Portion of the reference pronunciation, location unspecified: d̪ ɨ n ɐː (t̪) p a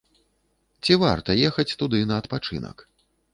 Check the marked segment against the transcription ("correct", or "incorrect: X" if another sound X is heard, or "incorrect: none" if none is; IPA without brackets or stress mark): correct